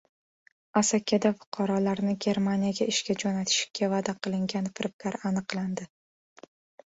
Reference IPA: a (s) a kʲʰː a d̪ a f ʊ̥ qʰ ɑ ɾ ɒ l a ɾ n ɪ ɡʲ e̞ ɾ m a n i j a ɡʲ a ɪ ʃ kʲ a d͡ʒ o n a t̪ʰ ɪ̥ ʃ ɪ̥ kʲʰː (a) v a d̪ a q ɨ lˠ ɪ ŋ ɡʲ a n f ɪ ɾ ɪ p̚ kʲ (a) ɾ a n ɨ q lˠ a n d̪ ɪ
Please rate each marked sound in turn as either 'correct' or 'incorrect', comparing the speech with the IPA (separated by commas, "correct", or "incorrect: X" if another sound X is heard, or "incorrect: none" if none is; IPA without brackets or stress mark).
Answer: correct, correct, correct